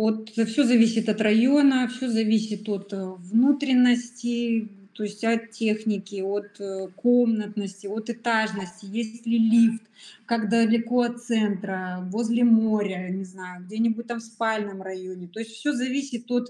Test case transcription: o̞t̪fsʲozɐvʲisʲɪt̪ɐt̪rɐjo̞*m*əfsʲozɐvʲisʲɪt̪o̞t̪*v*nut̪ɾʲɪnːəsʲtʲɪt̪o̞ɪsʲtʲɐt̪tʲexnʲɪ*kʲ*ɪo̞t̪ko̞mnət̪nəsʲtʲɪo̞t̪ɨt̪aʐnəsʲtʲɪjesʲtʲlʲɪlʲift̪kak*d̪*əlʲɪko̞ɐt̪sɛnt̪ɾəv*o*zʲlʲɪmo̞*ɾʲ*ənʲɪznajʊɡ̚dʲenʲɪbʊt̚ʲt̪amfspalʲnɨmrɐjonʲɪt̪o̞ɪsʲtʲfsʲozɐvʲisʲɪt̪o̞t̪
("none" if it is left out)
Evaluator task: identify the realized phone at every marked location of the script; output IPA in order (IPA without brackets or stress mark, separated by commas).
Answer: n, v, kʲ, d̪, o, ɾʲ